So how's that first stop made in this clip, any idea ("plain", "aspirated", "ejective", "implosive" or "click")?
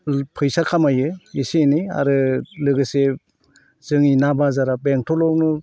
aspirated